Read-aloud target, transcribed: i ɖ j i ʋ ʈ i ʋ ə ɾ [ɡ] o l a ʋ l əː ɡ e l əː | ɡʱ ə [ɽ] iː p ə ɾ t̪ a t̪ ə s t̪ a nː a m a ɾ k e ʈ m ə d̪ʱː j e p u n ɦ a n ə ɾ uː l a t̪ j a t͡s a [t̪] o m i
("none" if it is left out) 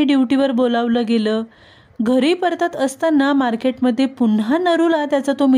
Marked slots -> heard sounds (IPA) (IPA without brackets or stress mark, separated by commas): b, ɾ, t̪